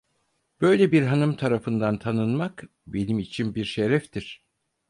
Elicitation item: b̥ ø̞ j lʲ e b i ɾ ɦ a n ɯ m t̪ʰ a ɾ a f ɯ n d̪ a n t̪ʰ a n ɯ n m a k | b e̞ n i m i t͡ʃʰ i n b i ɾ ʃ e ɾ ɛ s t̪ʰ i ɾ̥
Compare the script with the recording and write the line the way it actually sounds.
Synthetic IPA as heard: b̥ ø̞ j lʲ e b i ɾ ɦ a n ɯ m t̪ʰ a ɾ a f ɯ n d̪ a n t̪ʰ a n ɯ n m a k | b e̞ n i m i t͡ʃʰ i n b i ɾ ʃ e ɾ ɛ f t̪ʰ i ɾ̥